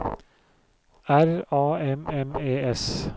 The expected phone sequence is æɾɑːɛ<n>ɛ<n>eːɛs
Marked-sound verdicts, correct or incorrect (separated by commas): incorrect, incorrect